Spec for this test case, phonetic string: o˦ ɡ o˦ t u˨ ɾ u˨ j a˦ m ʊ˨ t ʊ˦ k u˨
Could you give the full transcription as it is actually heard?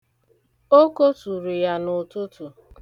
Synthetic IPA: o˦ k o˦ t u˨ ɾ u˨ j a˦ n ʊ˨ t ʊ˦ t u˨